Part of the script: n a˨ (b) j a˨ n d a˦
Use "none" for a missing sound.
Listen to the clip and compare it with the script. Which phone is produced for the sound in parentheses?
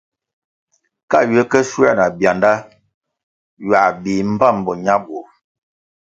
b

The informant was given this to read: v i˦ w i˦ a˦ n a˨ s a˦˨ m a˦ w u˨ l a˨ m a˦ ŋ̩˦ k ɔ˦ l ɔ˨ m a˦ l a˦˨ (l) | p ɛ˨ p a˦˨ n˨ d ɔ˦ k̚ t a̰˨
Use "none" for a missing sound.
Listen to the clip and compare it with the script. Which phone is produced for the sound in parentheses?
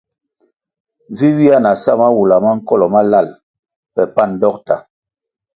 l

